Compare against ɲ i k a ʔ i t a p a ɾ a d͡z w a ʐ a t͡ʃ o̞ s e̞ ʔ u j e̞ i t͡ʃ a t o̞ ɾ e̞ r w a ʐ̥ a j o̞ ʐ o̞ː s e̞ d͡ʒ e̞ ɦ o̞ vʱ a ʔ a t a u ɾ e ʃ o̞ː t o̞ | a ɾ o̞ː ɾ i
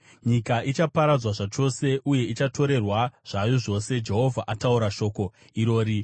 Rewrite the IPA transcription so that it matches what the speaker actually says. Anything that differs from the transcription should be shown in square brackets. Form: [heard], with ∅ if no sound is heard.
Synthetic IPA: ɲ i k a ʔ i [t͡ʃ] a p a ɾ a d͡z w a ʐ a t͡ʃ o̞ s e̞ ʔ u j e̞ i t͡ʃ a t o̞ ɾ e̞ r w a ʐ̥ a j o̞ ʐ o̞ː s e̞ d͡ʒ e̞ ɦ o̞ vʱ a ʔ a t a u ɾ [a] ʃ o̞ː [k] o̞ | [i] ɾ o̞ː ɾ i